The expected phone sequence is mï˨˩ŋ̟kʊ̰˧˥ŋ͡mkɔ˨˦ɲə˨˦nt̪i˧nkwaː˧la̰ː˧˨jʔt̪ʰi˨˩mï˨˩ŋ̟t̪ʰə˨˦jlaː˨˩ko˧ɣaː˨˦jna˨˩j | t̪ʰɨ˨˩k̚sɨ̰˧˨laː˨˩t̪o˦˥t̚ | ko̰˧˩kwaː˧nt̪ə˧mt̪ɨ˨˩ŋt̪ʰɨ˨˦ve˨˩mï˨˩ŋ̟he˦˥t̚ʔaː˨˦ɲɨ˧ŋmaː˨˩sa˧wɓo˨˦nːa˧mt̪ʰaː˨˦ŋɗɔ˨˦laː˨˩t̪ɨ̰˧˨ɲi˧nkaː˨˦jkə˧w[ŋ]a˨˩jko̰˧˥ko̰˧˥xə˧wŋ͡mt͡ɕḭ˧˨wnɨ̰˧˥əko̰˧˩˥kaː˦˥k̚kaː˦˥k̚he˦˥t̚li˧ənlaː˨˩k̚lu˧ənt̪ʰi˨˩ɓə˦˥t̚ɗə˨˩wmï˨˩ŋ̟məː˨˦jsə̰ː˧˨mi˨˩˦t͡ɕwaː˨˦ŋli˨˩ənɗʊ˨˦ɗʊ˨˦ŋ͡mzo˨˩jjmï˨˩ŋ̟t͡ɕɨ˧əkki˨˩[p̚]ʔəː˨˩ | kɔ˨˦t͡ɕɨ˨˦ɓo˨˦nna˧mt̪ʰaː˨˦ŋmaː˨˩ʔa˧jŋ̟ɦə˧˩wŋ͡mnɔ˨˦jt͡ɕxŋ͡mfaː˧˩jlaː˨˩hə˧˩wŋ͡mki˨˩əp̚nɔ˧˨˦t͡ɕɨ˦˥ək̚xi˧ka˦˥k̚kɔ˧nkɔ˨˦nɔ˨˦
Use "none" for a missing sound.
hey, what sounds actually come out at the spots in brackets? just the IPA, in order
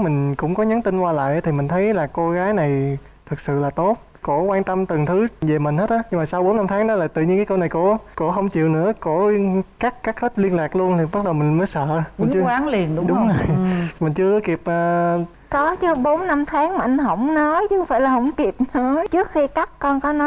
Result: n, p̚

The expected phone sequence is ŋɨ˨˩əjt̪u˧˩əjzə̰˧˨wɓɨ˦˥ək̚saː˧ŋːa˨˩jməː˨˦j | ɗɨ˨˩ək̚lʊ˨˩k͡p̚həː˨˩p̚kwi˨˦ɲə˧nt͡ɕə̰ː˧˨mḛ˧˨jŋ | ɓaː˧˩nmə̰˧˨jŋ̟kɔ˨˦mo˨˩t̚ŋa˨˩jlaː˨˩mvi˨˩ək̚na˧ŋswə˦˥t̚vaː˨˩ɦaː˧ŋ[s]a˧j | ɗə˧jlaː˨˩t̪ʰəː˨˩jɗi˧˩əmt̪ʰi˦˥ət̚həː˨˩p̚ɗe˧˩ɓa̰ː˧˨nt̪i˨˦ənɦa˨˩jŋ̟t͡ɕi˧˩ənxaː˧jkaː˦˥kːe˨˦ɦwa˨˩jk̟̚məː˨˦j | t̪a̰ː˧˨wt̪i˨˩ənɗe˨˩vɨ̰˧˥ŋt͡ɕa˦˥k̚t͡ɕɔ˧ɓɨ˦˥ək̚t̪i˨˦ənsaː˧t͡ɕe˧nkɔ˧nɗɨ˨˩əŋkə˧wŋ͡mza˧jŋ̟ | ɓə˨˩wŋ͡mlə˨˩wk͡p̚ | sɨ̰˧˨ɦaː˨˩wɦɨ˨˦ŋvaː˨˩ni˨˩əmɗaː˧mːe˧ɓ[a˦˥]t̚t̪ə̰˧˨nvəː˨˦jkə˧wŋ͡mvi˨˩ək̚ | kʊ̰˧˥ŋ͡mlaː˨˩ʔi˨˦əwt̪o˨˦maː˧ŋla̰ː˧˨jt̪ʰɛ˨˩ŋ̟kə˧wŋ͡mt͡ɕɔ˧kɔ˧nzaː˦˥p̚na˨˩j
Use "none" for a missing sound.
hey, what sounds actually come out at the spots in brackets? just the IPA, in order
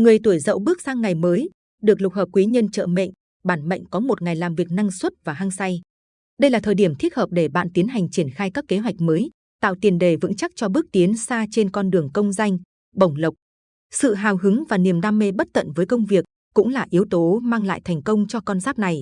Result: s, ə˦˥

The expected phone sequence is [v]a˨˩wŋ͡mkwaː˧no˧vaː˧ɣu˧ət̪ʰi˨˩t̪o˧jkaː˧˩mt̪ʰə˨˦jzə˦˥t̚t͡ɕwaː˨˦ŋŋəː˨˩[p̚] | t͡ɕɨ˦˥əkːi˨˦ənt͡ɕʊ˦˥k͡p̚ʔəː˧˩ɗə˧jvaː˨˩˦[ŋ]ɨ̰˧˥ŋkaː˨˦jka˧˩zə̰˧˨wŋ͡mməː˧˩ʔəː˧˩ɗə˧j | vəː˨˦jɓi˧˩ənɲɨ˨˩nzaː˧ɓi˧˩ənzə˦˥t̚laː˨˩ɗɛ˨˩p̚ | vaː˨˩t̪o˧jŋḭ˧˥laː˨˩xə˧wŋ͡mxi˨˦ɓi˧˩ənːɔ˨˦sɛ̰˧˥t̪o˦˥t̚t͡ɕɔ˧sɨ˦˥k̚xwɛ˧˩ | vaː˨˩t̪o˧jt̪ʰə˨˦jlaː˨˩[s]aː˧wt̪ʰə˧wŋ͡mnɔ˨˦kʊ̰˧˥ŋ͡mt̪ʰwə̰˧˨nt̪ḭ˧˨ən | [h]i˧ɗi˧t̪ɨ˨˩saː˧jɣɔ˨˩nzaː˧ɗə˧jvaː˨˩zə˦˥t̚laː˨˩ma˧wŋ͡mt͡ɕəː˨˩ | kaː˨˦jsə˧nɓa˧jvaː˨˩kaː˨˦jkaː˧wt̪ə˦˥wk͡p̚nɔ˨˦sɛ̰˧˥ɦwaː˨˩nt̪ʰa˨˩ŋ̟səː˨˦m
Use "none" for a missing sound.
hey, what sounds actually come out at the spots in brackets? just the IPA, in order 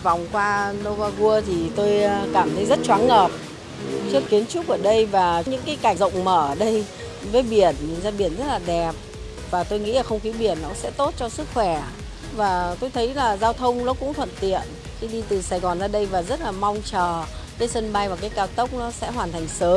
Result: v, p̚, ɲ, z, x

